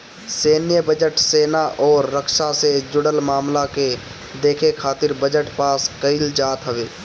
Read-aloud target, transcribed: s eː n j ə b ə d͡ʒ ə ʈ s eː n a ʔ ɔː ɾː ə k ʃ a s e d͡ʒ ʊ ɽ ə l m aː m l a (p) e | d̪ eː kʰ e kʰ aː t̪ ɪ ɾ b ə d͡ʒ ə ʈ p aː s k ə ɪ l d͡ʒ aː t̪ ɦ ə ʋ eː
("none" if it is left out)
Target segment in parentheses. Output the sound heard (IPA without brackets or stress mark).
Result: k